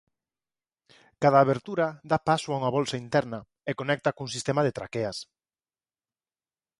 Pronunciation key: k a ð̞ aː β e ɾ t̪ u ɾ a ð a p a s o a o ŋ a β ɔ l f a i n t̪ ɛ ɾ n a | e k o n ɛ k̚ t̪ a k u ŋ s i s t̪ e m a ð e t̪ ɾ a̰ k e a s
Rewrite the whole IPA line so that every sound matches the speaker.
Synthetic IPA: k a ð̞ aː β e ɾ t̪ u ɾ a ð a p a s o a u ŋ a β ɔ l s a i n t̪ ɛ ɾ n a | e k o n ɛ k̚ t̪ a k u ŋ s i s t̪ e m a ð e t̪ ɾ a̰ k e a s